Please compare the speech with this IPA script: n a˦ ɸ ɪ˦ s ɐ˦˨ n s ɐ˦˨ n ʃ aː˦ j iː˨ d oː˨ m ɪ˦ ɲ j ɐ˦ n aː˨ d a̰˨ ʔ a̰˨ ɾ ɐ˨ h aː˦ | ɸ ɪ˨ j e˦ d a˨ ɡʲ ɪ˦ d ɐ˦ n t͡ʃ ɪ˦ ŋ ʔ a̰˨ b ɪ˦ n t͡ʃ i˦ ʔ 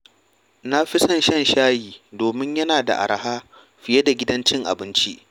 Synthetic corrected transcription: n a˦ ɸ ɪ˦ s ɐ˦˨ n ʃ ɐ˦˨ n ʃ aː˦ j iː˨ d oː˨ m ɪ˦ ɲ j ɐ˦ n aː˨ d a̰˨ ʔ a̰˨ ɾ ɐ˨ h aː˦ | ɸ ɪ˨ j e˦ d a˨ ɡʲ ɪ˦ d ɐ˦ n t͡ʃ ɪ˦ ŋ ʔ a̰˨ b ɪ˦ n t͡ʃ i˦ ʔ